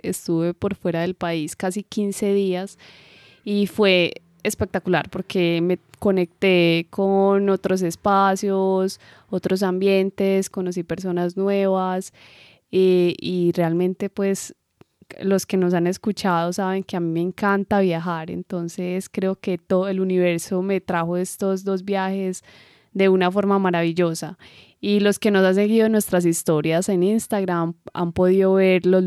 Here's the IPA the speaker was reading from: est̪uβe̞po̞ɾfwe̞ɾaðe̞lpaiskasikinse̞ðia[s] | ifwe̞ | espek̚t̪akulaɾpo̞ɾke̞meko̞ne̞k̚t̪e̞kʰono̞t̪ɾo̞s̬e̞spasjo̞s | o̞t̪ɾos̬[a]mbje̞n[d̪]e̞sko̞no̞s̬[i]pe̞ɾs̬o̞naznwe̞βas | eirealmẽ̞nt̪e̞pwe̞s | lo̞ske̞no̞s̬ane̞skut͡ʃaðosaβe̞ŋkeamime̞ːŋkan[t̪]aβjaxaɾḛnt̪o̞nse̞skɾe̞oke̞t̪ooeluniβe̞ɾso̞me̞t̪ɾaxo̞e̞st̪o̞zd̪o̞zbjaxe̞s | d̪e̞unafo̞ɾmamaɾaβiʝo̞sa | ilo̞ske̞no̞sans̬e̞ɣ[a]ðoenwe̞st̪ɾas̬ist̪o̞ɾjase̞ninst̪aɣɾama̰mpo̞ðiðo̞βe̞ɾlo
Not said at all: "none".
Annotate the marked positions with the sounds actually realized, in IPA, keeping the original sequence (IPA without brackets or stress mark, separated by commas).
s, a, t̪, i, t̪, i